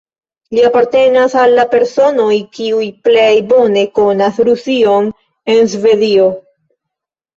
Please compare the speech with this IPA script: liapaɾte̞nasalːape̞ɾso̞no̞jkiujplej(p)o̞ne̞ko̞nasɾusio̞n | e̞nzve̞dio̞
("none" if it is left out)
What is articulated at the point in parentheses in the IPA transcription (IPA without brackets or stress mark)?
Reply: b